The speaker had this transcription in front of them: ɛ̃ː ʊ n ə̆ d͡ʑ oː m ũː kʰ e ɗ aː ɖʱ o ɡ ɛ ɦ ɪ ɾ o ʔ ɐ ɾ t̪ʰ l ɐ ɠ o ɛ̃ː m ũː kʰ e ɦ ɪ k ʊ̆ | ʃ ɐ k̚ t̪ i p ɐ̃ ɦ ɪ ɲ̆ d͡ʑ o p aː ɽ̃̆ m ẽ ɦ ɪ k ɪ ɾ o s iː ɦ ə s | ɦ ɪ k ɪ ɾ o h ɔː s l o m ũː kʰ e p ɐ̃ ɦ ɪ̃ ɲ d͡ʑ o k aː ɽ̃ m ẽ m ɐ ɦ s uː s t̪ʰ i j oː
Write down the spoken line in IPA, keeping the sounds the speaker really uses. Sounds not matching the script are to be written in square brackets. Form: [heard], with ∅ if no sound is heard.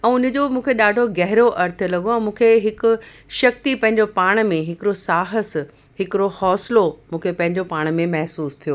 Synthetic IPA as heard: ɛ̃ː ʊ n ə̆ d͡ʑ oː m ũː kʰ e ɗ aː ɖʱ o ɡ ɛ ɦ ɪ ɾ o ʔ ɐ ɾ t̪ʰ l ɐ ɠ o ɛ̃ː m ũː kʰ e ɦ ɪ k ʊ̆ | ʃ ɐ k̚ t̪ i p ɐ̃ ɦ ɪ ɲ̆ d͡ʑ o p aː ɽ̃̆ m ẽ ɦ ɪ k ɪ ɾ o s [aː] ɦ ə s | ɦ ɪ k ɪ ɾ o h ɔː s l o m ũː kʰ e p ɐ̃ ɦ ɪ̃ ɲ d͡ʑ o [p] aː ɽ̃ m ẽ m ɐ ɦ s uː s t̪ʰ i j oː